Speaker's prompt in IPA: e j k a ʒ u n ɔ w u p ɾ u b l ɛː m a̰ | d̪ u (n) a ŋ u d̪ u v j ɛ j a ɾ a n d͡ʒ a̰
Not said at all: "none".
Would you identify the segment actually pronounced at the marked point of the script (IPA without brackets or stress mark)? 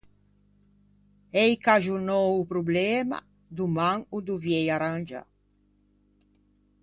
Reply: m